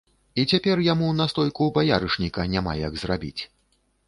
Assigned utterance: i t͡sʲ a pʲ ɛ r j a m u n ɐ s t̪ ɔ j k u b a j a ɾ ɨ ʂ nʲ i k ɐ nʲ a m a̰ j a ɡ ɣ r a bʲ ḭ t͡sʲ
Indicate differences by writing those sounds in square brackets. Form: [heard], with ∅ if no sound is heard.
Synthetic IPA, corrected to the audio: i t͡sʲ a pʲ ɛ r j a m u n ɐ s t̪ ɔ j k u b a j a ɾ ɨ ʂ nʲ i k ɐ nʲ a m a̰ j a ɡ [z] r a bʲ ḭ t͡sʲ